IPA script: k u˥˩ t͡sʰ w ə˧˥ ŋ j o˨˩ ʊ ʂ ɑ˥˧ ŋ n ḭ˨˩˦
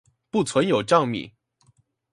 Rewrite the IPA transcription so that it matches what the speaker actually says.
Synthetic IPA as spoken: p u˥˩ t͡sʰ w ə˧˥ n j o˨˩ ʊ ʈ͡ʂ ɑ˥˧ ŋ m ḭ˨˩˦